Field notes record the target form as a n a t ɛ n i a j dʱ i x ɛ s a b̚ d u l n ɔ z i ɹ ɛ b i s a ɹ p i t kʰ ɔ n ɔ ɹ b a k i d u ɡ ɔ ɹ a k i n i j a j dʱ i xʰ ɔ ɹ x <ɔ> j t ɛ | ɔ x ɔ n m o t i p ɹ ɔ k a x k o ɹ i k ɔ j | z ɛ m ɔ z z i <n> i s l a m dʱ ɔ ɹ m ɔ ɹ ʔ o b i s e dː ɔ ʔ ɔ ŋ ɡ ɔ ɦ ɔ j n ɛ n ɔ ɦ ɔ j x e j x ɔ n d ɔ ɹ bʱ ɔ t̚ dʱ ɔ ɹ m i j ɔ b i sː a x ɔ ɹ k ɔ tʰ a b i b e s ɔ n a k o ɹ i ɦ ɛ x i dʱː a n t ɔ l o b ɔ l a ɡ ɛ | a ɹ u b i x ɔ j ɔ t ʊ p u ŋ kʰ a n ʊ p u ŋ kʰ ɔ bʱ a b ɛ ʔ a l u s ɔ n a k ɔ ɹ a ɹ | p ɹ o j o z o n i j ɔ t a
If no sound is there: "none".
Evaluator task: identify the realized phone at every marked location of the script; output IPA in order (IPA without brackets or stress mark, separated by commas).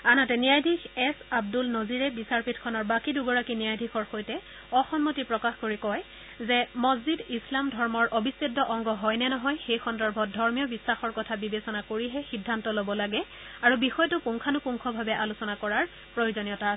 o, d